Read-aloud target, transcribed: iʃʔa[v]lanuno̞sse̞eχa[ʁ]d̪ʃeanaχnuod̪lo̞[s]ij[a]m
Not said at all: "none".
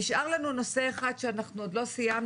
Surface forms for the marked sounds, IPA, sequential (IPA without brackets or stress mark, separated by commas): ʁ, none, s, a